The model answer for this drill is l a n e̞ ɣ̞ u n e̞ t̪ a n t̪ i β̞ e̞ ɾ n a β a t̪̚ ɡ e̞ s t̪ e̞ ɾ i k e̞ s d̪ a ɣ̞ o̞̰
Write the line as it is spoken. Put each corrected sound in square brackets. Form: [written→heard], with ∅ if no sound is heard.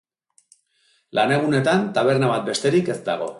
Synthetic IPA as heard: l a n e̞ ɣ̞ u n e̞ t̪ a n t̪ [i→a] β̞ e̞ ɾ n a β a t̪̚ [ɡ→b] e̞ s t̪ e̞ ɾ i k e̞ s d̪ a ɣ̞ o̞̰